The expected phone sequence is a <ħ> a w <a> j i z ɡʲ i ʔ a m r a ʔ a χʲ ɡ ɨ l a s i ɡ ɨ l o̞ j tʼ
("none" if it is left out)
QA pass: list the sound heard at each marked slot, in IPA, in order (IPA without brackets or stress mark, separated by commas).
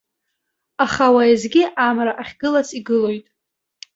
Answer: χ, a